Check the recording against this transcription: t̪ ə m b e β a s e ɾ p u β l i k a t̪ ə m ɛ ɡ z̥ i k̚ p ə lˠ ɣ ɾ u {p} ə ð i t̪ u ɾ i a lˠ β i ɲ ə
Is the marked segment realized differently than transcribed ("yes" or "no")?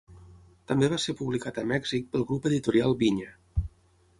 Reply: no